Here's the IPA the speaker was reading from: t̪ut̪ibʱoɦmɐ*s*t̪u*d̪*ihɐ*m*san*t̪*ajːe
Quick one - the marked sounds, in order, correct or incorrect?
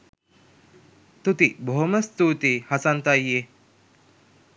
correct, incorrect: t̪, incorrect: none, correct

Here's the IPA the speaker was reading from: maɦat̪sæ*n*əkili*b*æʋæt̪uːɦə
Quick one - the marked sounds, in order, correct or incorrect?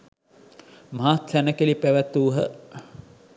correct, incorrect: p

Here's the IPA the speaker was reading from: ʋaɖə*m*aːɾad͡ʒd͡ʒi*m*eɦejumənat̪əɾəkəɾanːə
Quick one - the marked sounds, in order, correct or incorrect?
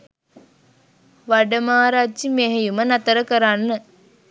correct, correct

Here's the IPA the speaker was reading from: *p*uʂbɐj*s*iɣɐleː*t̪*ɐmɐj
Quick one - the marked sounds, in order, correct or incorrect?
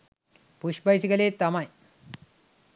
correct, correct, correct

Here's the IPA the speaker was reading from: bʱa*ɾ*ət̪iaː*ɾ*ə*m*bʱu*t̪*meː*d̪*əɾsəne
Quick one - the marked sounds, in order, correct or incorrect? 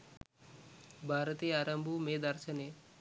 correct, correct, correct, incorrect: none, correct

